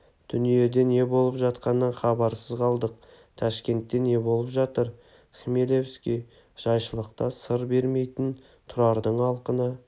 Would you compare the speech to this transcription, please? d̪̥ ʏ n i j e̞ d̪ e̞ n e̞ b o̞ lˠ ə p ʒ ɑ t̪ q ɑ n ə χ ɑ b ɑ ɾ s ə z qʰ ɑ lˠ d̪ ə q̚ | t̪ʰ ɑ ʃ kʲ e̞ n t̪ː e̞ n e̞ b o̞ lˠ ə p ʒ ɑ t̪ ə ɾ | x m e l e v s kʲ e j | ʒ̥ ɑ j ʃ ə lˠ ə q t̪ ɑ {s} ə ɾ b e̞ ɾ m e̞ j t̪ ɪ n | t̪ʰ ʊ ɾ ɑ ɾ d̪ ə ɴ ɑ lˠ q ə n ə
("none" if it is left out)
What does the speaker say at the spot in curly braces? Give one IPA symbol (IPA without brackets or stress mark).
s